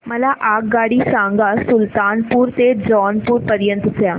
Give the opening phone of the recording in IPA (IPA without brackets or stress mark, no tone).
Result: m